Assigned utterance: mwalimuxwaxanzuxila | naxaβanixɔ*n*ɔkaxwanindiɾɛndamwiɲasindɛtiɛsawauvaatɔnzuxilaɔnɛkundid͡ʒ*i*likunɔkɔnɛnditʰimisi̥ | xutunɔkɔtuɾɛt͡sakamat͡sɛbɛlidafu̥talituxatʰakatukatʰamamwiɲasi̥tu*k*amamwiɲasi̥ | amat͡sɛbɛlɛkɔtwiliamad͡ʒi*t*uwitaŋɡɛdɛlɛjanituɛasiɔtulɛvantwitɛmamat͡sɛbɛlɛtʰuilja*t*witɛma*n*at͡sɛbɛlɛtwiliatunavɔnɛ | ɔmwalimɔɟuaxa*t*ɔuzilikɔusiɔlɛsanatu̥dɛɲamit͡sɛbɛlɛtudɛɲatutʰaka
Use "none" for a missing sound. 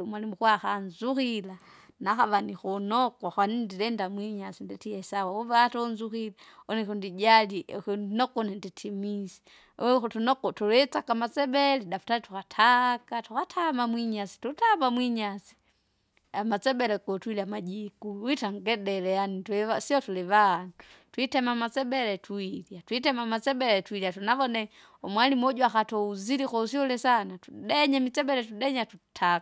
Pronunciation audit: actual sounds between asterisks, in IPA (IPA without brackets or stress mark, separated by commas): n, a, t, k, t, m, t